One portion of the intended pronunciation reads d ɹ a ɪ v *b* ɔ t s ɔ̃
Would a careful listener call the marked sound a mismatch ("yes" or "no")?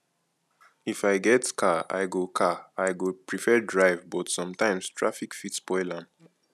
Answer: no